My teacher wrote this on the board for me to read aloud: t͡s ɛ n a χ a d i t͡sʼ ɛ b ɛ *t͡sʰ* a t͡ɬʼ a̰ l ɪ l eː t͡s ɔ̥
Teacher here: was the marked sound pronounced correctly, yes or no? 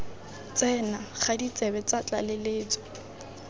no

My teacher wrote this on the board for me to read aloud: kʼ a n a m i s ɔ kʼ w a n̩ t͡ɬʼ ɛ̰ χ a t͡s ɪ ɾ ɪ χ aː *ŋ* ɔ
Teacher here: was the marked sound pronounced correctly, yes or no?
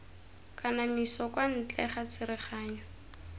no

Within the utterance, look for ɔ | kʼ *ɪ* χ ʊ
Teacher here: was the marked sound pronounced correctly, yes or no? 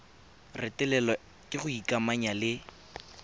yes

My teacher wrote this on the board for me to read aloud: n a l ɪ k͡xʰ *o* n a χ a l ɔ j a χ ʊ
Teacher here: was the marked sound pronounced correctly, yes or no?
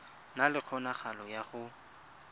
no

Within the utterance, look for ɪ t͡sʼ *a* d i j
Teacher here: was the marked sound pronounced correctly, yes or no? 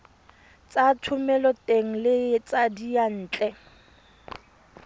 yes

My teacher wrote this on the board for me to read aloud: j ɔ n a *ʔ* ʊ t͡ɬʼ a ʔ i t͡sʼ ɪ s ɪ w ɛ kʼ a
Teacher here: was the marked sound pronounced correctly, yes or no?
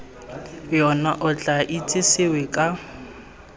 yes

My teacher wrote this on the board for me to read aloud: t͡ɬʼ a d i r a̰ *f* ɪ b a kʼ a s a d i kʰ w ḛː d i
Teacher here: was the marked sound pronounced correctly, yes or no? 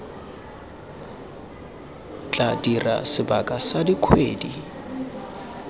no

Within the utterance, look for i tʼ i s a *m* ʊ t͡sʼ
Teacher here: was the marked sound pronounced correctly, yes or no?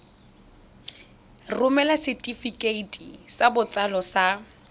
no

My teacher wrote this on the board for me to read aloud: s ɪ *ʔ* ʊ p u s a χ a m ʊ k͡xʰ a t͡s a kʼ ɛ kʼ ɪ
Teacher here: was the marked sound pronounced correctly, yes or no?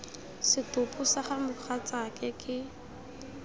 no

